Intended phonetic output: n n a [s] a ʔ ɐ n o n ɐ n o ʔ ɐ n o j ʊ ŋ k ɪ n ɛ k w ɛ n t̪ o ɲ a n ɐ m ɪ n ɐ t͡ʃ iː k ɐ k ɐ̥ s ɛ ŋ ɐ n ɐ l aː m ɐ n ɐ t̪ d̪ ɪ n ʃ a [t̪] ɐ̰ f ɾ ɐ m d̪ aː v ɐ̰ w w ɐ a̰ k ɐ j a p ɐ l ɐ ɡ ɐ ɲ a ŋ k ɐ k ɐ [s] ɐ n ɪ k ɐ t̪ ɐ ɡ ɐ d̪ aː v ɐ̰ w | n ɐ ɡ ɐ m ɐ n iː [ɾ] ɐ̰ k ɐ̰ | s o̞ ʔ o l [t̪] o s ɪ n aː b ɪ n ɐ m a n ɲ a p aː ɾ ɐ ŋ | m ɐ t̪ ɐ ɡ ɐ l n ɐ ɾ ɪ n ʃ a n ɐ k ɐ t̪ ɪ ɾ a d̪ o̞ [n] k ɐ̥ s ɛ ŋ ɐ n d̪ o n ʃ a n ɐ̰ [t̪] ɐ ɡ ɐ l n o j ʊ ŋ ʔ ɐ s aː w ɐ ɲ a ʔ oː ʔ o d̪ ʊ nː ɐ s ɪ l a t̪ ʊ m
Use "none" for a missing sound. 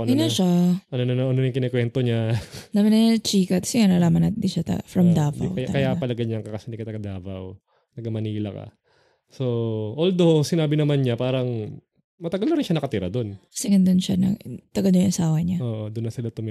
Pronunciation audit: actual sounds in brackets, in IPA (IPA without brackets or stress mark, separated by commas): ʃ, t̪, s, l, d̪, n, t̪